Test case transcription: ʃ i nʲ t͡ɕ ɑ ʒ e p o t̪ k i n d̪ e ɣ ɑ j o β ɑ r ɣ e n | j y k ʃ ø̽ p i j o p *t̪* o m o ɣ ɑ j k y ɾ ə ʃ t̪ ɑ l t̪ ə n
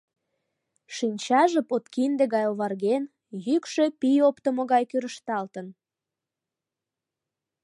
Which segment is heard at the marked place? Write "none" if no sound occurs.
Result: t̪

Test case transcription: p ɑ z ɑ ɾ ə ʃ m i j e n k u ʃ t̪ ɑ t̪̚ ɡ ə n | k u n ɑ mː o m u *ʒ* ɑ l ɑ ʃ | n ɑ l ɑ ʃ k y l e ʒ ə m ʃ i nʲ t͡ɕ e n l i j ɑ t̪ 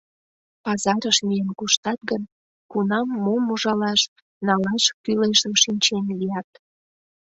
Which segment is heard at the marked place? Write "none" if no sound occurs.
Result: ʒ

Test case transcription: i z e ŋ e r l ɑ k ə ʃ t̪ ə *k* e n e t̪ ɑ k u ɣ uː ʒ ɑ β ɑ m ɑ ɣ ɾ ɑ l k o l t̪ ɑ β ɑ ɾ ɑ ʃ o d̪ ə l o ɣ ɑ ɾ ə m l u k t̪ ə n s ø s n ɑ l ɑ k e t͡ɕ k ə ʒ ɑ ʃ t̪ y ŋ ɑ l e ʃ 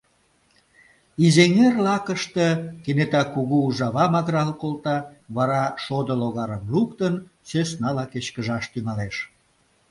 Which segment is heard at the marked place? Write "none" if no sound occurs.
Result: k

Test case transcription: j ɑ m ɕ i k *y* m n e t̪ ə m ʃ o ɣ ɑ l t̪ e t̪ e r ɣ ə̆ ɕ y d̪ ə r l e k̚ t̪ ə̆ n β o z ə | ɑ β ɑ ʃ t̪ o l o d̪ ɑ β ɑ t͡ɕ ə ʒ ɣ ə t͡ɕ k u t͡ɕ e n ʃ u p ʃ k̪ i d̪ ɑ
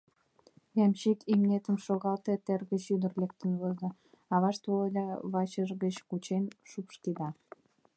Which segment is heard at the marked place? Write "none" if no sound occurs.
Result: i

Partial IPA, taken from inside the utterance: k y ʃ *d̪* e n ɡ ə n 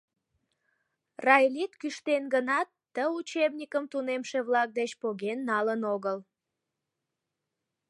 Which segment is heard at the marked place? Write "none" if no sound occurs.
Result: t̪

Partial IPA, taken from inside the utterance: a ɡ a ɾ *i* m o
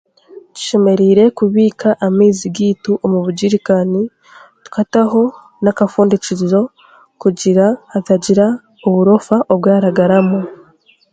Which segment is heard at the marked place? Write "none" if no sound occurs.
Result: a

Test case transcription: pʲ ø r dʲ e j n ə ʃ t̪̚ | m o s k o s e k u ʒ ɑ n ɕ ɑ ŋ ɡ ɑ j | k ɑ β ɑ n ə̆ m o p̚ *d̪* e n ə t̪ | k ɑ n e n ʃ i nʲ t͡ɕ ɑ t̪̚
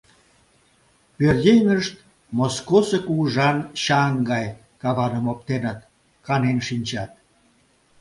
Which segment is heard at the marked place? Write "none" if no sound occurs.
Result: t̪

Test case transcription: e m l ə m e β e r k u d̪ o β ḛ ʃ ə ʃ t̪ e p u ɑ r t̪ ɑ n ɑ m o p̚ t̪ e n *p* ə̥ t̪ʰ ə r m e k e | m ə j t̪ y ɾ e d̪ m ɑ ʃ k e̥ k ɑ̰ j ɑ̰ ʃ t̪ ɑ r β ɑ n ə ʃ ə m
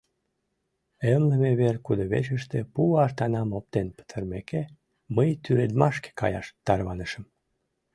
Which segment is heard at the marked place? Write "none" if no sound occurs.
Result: p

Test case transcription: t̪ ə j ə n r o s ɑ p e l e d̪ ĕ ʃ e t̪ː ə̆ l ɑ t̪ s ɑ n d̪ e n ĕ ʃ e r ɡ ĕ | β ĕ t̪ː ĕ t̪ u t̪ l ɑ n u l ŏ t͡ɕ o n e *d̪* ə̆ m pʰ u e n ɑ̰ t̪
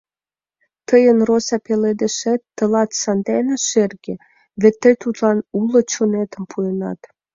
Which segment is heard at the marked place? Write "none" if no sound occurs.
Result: t̪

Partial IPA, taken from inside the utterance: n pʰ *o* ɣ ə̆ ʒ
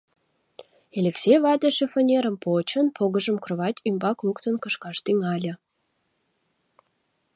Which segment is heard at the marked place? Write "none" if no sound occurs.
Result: o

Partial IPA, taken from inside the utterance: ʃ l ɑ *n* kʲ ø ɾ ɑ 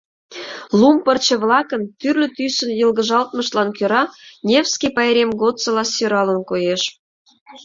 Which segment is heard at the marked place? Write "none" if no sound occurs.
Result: n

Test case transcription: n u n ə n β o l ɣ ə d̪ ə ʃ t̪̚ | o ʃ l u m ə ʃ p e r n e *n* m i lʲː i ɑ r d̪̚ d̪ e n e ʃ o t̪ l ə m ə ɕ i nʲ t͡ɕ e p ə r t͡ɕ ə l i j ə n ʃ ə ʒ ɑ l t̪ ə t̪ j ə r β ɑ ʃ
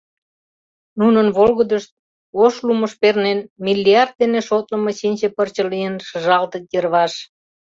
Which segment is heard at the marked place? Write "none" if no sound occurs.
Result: n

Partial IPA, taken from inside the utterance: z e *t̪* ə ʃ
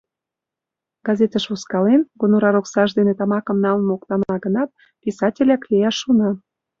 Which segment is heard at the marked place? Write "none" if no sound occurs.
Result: t̪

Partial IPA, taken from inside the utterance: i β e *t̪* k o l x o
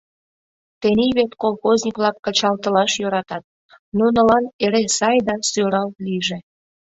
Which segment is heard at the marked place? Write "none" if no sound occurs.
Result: t̪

